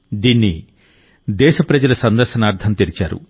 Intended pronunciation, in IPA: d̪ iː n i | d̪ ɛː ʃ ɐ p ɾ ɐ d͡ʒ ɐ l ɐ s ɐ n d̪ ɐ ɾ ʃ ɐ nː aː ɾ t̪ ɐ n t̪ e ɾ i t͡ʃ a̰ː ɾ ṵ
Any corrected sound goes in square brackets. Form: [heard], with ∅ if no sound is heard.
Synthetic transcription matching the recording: d̪ iː [nː] i | d̪ ɛː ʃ ɐ p ɾ ɐ d͡ʒ ɐ l ɐ s ɐ n d̪ ɐ ɾ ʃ ɐ [n] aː ɾ [t̪ʰ] ɐ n t̪ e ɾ i t͡ʃ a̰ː ɾ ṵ